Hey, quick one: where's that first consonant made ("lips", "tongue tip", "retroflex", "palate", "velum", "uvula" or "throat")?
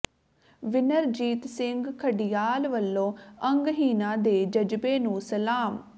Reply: lips